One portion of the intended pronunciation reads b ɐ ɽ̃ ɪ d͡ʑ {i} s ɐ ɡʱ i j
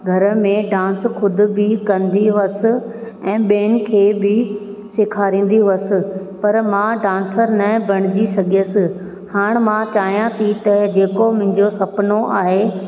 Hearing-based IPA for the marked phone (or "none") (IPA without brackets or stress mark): i